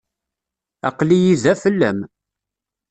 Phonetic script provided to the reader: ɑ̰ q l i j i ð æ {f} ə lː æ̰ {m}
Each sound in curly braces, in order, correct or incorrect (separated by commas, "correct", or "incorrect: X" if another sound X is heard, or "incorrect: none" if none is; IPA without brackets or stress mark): correct, correct